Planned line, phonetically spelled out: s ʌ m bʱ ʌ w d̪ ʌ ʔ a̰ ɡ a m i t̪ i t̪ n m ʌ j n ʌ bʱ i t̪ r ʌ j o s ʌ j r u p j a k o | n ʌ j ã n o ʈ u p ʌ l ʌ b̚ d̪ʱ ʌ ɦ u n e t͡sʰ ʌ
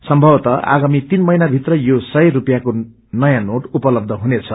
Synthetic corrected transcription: s ʌ m bʱ ʌ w t̪ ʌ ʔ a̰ ɡ a m i t̪ i n m ʌ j n a bʱ i t̪ r ʌ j o s ʌ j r u p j a k o | n ʌ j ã n o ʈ u p ʌ l ʌ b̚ d̪ʱ ʌ ɦ u n e t͡sʰ ʌ